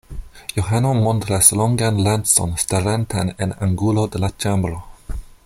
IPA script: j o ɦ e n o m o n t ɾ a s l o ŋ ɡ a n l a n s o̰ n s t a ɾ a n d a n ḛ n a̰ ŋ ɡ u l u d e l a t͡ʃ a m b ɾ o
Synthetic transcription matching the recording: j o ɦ a n o m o n t ɾ a s l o ŋ ɡ a n l a n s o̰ n s t a ɾ a n t a n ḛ n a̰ ŋ ɡ u l o d e l a t͡ʃ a m b ɾ o